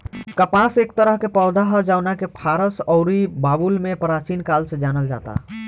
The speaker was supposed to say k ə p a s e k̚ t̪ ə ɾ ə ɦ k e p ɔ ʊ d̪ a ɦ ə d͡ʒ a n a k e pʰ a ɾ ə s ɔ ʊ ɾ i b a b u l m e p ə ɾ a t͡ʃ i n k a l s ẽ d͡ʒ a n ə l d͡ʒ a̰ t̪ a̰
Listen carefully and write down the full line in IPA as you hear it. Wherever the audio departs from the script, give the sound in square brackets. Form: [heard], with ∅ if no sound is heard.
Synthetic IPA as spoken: k ə p a s e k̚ t̪ ə ɾ ə ɦ k e p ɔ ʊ d̪ a ɦ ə d͡ʒ a n a k e pʰ a ɾ ə s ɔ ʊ ɾ i b a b u l m e p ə ɾ a t͡ʃ i n k a l s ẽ d͡ʒ a n ə l d͡ʒ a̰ t̪ a̰

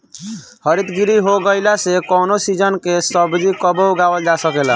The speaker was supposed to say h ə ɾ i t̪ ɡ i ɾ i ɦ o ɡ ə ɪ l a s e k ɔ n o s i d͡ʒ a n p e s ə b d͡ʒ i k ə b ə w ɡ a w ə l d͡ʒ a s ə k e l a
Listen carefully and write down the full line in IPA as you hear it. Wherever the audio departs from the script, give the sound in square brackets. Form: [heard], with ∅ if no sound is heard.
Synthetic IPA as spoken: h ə ɾ i t̪ ɡ i ɾ i ɦ o ɡ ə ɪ l a s e k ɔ n o s i d͡ʒ [ə] n [k] e s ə b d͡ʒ i k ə b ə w ɡ a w ə l d͡ʒ a s ə k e l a

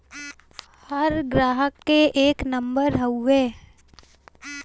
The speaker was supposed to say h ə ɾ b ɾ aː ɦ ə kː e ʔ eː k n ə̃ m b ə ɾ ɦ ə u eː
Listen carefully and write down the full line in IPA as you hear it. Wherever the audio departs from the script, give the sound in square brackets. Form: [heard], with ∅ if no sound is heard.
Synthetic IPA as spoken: h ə ɾ [ɡ] ɾ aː ɦ ə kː e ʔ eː k n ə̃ m b ə ɾ ɦ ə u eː

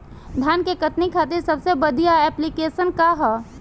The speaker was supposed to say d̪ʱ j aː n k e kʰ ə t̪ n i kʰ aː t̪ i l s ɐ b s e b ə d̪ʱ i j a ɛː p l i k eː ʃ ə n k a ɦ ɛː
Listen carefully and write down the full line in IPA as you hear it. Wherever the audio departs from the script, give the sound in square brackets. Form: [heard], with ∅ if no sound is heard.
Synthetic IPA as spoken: d̪ʱ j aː n k e [k] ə t̪ n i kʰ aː t̪ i [ɾ] s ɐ b s e b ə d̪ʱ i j a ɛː p l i k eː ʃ ə n k a ɦ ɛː

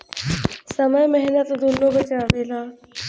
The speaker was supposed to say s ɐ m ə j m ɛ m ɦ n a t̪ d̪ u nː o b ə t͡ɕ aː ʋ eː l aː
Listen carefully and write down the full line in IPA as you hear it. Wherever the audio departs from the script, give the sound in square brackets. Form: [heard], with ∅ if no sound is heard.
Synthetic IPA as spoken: s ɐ m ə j m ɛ [∅] ɦ n [ə] t̪ d̪ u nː o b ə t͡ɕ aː ʋ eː l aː

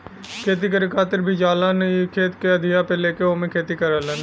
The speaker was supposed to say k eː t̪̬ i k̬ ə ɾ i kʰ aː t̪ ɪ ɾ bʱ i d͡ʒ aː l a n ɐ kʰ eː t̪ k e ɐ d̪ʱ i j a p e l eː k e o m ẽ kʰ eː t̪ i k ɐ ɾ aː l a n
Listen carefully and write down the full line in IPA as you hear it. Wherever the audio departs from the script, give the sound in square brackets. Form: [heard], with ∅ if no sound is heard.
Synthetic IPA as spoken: [kʰ] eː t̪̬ i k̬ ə ɾ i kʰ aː t̪ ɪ ɾ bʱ i d͡ʒ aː l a n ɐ kʰ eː t̪ k e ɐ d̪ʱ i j a p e l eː k e o m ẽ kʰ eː t̪ i k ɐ ɾ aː l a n

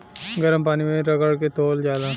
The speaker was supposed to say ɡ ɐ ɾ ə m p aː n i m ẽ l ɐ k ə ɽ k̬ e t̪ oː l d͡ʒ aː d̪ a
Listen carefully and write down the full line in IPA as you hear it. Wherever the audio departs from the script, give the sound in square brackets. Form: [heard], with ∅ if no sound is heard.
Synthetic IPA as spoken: ɡ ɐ ɾ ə m p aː n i m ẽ [ɾ] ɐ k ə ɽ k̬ e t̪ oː l d͡ʒ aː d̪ a

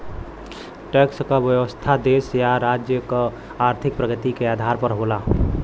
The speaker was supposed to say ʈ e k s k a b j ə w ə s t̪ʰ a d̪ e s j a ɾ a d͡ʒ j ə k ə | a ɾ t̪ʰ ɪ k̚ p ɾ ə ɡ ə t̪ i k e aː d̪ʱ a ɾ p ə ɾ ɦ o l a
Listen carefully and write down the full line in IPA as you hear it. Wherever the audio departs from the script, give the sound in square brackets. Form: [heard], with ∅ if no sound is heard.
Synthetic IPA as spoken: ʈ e k s k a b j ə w ə s t̪ʰ a d̪ e s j a ɾ a d͡ʒ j ə k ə | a ɾ t̪ʰ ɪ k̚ p ɾ ə ɡ ə t̪ i k e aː d̪ʱ a ɾ p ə ɾ ɦ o l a

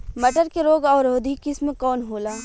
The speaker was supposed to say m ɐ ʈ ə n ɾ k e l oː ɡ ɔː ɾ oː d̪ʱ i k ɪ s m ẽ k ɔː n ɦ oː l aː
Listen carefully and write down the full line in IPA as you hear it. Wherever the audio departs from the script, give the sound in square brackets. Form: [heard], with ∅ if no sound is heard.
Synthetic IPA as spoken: m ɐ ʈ ə [∅] ɾ k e [ɾ] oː ɡ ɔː ɾ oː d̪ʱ i k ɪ s m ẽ k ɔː n ɦ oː l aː

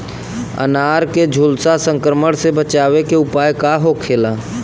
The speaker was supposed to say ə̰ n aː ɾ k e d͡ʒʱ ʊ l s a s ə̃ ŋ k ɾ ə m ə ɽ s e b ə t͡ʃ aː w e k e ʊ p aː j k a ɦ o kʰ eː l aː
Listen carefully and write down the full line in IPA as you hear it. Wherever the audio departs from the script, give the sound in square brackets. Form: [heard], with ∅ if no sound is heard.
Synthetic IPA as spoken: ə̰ n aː ɾ k e d͡ʒʱ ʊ l s a s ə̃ ŋ k ɾ ə m ə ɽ s e b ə t͡ʃ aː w e k e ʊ p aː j k a ɦ o kʰ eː l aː

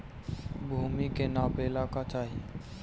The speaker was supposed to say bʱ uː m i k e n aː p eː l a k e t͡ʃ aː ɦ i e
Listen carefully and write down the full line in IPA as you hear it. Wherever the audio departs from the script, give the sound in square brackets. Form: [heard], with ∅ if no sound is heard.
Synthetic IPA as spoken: bʱ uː m i k e n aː p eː l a k [a] t͡ʃ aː ɦ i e

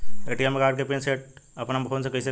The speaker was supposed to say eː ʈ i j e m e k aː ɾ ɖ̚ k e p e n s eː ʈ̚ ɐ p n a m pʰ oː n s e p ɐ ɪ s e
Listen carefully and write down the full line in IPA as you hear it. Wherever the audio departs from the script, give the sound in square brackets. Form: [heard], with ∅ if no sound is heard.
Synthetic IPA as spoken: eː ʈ i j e m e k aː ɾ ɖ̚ k e p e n s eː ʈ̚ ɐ p n a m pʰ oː n s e [k] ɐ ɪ s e

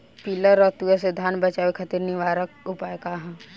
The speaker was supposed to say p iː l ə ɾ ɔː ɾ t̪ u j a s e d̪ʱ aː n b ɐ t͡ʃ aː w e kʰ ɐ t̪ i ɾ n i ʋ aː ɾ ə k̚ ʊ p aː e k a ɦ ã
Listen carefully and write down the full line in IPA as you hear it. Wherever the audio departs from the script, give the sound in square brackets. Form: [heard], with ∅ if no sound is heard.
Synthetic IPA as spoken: p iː l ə ɾ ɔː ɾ t̪ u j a s e d̪ʱ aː n b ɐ t͡ʃ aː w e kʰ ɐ t̪ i ɾ n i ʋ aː ɾ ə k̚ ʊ p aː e k a ɦ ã

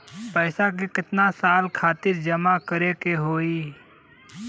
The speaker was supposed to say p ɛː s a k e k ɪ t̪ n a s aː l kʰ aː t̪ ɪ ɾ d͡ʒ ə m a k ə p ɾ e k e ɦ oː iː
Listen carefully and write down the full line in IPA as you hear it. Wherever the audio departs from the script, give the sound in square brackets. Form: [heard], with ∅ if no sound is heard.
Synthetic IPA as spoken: p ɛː s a k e k ɪ t̪ n a s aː l kʰ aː t̪ ɪ ɾ d͡ʒ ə m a k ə [∅] ɾ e k e ɦ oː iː

